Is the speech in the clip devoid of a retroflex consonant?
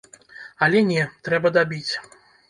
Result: yes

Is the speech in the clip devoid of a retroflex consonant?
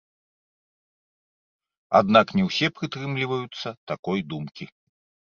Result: yes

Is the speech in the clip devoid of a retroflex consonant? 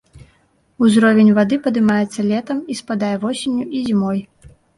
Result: yes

